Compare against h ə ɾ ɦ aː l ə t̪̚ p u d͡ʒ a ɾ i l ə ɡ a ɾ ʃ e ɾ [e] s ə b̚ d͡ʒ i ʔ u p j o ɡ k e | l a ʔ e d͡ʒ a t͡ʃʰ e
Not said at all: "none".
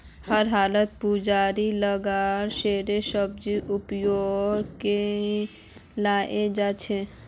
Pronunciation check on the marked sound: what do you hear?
e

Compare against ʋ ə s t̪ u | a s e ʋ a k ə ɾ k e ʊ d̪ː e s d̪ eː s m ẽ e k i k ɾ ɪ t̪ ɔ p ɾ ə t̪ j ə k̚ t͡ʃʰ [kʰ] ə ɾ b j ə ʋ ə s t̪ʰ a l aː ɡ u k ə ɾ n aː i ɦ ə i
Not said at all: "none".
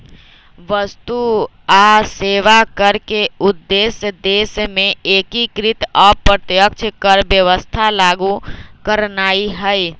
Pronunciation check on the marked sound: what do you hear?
k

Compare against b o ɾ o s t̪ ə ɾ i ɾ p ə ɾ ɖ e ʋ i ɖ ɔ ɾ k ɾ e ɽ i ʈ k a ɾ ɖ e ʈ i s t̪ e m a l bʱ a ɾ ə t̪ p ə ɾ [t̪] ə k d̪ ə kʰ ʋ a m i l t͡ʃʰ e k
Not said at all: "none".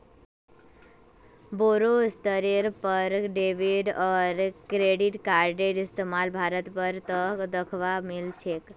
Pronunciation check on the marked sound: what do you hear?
t̪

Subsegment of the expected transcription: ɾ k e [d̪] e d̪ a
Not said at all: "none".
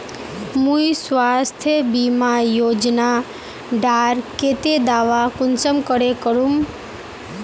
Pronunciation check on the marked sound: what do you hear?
t̪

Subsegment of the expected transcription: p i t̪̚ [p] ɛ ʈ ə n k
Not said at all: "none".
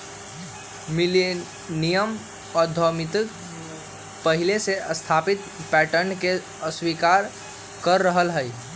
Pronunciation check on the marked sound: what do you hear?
p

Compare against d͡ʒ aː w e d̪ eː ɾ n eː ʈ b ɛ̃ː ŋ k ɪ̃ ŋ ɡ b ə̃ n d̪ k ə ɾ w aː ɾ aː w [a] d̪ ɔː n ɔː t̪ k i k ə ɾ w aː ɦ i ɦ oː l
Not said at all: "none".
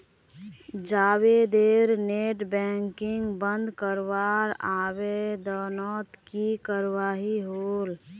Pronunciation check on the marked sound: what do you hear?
e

